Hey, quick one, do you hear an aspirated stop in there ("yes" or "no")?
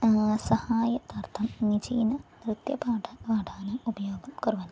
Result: yes